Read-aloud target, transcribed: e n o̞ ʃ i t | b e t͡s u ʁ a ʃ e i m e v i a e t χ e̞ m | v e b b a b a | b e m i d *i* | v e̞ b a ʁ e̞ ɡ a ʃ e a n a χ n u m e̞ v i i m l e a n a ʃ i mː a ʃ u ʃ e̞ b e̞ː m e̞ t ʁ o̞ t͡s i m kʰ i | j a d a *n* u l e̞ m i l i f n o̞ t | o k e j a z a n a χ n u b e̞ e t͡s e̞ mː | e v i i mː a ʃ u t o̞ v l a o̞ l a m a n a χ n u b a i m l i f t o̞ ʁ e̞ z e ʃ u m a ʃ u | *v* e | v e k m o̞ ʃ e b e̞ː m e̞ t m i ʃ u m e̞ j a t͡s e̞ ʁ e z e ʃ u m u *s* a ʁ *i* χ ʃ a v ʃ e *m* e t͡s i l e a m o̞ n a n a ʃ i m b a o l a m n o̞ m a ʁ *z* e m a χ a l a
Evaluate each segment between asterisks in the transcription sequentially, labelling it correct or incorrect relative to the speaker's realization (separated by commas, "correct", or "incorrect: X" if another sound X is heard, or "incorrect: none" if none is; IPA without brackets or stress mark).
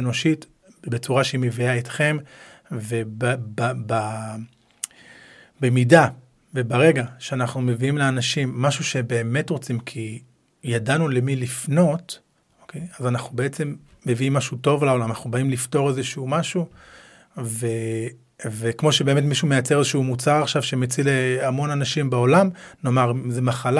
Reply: incorrect: a, correct, correct, incorrect: t͡s, incorrect: a, correct, correct